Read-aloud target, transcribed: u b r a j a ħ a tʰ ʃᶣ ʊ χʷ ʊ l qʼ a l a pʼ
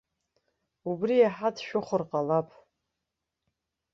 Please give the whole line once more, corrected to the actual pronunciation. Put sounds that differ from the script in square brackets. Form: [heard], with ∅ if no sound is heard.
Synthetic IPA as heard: u b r [i] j a ħ a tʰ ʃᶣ ʊ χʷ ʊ [r] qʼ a l a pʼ